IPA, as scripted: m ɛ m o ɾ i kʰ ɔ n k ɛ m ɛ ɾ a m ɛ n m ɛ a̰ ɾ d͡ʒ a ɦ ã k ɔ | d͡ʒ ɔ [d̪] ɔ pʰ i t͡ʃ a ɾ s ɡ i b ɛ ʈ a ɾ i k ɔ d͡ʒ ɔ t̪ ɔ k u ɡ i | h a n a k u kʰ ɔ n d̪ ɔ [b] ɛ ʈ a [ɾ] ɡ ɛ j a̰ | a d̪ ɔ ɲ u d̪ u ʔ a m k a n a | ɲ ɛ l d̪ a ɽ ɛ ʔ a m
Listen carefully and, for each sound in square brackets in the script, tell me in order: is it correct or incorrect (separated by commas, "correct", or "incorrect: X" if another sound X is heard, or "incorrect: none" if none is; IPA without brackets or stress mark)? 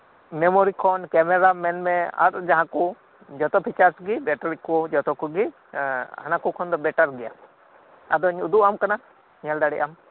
incorrect: t̪, correct, correct